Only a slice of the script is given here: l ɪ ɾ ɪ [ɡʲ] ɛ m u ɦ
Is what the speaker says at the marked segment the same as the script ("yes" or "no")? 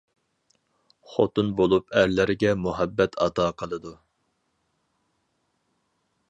yes